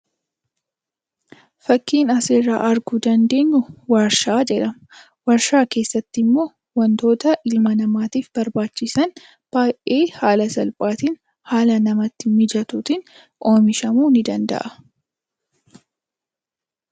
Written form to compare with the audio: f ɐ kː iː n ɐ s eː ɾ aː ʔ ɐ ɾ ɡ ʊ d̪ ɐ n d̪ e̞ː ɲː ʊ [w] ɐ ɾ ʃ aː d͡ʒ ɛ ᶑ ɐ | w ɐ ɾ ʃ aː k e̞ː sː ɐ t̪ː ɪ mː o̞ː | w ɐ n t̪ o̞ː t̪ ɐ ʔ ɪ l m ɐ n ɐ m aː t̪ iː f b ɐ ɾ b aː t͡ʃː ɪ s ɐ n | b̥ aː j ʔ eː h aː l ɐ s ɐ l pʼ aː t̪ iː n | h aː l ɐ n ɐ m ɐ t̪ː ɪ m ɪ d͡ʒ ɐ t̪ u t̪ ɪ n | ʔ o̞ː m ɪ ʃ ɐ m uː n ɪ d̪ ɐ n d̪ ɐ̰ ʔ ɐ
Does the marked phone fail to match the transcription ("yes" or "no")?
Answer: no